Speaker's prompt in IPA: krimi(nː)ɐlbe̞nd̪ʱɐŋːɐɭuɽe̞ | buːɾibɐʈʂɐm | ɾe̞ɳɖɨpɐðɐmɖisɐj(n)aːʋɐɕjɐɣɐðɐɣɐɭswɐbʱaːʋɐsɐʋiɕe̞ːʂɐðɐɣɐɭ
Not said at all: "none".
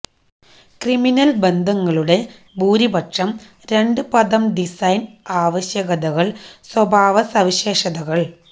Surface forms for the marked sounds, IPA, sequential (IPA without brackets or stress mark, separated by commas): n, n